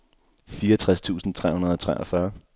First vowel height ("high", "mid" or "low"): high